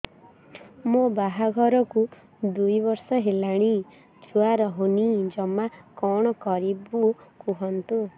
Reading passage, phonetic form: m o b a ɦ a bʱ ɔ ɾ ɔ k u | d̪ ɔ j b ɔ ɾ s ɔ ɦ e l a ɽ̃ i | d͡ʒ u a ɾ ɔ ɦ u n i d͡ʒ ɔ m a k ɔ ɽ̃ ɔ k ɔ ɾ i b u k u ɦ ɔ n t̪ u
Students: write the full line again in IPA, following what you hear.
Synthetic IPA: m o b a ɦ a ɡʱ ɔ ɾ ɔ k u | d̪ u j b ɔ ɾ s ɔ ɦ e l a ɽ̃ i | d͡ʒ u a ɾ ɔ ɦ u n i d͡ʒ ɔ m a k ɔ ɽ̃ ɔ k ɔ ɾ i b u k u ɦ ɔ n t̪ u

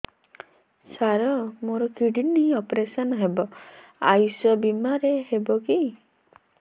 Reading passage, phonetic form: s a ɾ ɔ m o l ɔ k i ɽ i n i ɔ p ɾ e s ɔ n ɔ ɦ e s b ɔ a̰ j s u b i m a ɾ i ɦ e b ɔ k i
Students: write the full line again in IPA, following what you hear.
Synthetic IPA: s a ɾ ɔ m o ɾ ɔ k i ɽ i n i ɔ p ɾ e s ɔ n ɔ ɦ e b ɔ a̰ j s ɔ b i m a ɾ e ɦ e b ɔ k i

